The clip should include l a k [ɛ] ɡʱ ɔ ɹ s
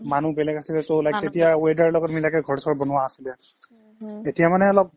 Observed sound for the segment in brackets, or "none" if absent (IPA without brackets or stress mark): ɛ